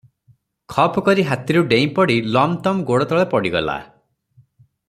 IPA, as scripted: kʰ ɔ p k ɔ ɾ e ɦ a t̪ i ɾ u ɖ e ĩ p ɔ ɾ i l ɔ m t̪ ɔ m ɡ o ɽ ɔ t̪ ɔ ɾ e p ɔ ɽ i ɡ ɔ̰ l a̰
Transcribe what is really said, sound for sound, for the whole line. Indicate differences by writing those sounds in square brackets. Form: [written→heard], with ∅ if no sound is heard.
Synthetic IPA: kʰ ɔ p k ɔ ɾ [e→i] ɦ a t̪ i ɾ u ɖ e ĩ p ɔ [ɾ→ɽ] i l ɔ m t̪ ɔ m ɡ o ɽ ɔ t̪ ɔ [ɾ→ɭ] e p ɔ ɽ i ɡ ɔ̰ l a̰